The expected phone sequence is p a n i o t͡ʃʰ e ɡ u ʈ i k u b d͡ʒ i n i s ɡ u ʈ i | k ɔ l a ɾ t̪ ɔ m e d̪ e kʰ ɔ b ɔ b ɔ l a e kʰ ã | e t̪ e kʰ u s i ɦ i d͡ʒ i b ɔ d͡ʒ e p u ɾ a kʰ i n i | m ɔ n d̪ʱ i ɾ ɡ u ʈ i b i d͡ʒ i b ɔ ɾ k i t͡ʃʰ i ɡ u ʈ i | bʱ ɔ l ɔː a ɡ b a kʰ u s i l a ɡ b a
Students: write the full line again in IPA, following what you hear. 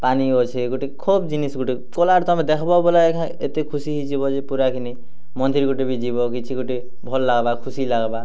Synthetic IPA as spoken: p a n i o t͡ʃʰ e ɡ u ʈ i kʰ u b d͡ʒ i n i s ɡ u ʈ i | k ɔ l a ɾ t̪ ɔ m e d̪ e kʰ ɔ b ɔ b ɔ l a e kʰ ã | e t̪ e kʰ u s i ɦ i d͡ʒ i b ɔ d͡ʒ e p u ɾ a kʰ i n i | m ɔ n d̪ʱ i ɾ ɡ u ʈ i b i d͡ʒ i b ɔ k i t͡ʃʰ i ɡ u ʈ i | bʱ ɔ l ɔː a ɡ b a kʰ u s i l a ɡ b a